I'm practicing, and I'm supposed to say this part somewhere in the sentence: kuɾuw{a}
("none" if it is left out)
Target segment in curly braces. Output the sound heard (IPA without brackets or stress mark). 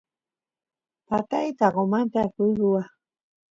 a